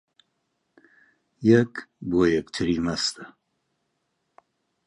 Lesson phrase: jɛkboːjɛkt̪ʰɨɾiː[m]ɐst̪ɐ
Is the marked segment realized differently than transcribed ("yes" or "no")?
no